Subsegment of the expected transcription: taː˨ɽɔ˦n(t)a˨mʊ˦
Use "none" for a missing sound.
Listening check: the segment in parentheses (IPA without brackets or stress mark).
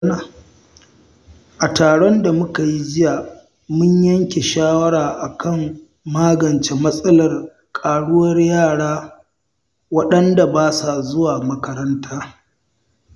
d